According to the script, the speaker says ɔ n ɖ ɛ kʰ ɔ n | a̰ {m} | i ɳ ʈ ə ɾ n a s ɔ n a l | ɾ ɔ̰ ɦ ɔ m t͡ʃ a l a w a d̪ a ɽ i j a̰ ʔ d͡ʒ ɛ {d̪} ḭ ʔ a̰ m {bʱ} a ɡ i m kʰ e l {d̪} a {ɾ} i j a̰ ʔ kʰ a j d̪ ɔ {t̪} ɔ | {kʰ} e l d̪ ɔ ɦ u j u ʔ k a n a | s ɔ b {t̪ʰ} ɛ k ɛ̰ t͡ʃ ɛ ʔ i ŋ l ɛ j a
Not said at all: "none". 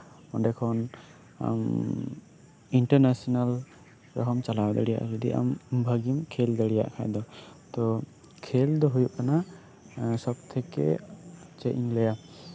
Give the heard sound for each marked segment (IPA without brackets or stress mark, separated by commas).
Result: m, d̪, bʱ, d̪, ɽ, t̪, kʰ, t̪ʰ